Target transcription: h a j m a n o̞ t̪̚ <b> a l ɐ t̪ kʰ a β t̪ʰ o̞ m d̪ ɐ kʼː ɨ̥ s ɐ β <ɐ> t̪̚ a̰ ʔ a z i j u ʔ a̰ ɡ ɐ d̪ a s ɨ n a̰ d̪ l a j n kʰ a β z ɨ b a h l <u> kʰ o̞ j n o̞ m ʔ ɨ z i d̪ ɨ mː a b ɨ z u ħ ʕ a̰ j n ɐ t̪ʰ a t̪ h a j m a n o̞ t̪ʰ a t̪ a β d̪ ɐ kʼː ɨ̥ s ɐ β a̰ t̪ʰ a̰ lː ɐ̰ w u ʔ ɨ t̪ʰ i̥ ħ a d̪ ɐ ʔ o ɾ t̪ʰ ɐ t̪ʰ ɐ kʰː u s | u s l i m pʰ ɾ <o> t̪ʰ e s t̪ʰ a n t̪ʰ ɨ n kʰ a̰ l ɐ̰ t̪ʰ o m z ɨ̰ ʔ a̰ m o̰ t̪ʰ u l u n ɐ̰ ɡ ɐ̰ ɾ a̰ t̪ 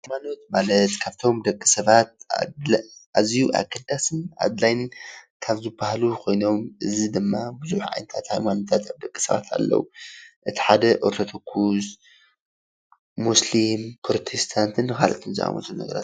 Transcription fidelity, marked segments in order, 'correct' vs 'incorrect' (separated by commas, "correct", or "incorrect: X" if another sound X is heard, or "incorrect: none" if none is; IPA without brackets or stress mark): incorrect: m, incorrect: a, correct, correct